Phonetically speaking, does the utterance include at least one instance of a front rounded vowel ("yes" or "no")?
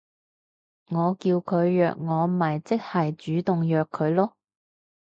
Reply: yes